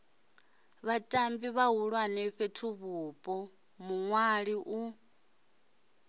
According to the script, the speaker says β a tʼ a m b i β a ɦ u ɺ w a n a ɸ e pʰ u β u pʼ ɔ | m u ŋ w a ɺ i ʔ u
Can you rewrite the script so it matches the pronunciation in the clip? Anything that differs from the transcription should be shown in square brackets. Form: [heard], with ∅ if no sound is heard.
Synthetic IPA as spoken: β a tʼ a m b i β a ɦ u ɺ w a n [ɛ] ɸ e [tʰ] u β u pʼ ɔ | m u ŋ w a ɺ i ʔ u